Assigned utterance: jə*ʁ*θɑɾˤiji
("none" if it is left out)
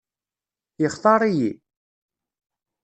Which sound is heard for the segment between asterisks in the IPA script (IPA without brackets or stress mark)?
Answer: χ